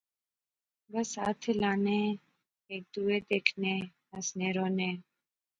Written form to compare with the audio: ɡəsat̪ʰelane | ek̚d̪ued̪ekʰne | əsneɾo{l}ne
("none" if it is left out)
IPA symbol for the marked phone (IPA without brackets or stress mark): none